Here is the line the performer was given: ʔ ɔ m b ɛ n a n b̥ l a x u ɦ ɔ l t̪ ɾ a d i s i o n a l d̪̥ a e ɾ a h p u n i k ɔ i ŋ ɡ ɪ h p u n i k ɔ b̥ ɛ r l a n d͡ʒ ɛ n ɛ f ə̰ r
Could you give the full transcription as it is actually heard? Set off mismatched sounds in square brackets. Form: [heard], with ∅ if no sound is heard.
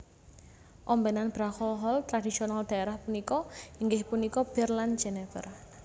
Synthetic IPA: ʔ ɔ m b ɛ n a n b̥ [ɾ] a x [ɔ] ɦ ɔ l t̪ ɾ a d i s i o n a l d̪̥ a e ɾ a h p u n i k ɔ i ŋ ɡ ɪ h p u n i k ɔ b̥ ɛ r l a n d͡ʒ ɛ n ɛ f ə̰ r